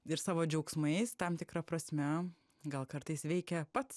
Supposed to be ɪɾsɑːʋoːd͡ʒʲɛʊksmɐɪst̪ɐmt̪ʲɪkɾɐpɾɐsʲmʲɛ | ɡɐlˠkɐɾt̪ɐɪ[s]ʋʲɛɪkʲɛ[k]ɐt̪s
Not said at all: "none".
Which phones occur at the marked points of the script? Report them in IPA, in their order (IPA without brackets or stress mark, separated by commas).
s, p